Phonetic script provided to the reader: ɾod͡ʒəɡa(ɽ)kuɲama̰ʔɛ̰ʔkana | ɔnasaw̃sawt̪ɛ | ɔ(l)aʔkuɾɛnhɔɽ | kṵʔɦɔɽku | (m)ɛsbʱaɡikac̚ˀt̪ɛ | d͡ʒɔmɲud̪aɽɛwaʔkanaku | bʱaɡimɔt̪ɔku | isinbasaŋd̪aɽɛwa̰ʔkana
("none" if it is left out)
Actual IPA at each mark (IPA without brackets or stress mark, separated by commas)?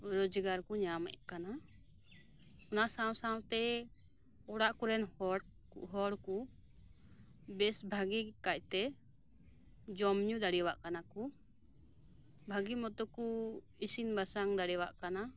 ɾ, ɽ, b